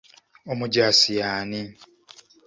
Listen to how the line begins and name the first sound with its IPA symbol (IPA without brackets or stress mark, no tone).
o